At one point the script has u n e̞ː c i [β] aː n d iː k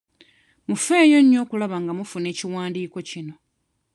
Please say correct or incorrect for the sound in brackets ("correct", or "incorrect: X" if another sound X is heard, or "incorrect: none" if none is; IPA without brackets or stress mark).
incorrect: w